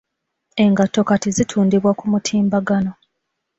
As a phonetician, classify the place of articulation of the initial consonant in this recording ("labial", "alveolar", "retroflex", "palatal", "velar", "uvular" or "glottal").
velar